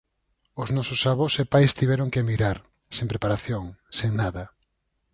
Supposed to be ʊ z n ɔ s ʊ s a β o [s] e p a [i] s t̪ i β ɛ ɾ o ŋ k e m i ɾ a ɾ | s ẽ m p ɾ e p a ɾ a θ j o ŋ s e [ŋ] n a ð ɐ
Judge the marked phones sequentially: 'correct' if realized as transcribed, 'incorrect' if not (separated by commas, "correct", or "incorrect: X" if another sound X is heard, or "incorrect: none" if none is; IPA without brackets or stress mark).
correct, incorrect: j, correct